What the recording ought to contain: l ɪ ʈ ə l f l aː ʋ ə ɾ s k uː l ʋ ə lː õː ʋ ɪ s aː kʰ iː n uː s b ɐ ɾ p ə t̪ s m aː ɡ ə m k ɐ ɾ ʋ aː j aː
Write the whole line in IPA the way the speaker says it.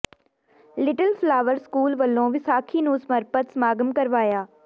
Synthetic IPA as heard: l ɪ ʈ ə l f l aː ʋ ə ɾ s k uː l ʋ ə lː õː ʋ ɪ s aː kʰ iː n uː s m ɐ ɾ p ə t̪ s m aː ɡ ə m k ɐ ɾ ʋ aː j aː